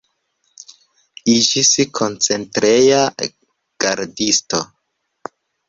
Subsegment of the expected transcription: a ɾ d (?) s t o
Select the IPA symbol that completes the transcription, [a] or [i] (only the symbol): i